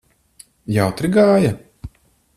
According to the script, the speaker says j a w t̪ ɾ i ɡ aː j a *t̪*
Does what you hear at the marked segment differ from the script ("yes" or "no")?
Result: yes